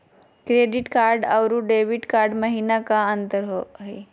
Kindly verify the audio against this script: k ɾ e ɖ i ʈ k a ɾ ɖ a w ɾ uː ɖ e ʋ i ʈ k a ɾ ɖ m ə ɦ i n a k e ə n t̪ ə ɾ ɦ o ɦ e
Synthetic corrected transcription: k ɾ e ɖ i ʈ k a ɾ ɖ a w ɾ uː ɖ e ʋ i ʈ k a ɾ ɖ m ə ɦ i n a k a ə n t̪ ə ɾ ɦ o ɦ e

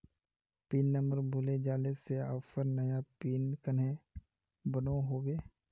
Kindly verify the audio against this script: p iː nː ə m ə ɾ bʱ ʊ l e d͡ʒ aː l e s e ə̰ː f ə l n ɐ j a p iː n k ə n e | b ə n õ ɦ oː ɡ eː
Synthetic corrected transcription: p iː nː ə m ə ɾ bʱ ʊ l e d͡ʒ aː l e s e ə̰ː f ə ɾ n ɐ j a p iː n k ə n e | b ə n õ ɦ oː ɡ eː

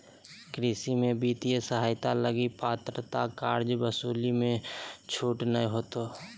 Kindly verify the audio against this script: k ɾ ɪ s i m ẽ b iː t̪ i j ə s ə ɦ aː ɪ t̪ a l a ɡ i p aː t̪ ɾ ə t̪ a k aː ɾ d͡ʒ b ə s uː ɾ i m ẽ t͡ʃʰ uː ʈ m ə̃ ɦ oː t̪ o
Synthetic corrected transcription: k ɾ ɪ s i m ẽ b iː t̪ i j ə s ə ɦ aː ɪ t̪ a l ə ɡ i p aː t̪ ɾ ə t̪ a k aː ɾ d͡ʒ b ə s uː l i m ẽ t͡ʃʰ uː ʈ n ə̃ ɦ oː t̪ o

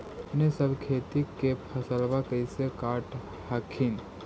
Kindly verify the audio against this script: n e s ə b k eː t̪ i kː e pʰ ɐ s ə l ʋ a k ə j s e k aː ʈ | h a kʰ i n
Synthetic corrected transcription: n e s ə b kʰ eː t̪ i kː e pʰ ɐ s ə l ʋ a k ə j s e k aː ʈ | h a kʰ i n

